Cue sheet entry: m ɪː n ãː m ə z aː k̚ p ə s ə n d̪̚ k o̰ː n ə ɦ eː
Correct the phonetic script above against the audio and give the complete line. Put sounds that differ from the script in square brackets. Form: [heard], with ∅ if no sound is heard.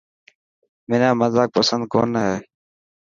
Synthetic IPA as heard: m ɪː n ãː m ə z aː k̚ p ə s ə n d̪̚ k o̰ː n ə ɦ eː